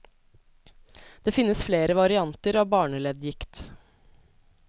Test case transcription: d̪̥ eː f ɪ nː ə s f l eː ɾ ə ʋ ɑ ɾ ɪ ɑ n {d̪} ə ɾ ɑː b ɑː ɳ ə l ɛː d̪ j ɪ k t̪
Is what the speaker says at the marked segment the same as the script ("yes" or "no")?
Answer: no